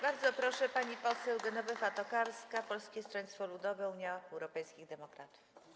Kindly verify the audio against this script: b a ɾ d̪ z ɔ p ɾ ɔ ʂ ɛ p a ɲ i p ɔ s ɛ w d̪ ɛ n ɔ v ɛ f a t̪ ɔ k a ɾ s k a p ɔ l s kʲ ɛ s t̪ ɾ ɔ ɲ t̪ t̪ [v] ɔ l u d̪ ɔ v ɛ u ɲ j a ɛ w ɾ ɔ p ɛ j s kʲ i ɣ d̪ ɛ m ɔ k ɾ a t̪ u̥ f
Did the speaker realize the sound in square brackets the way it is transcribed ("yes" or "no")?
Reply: no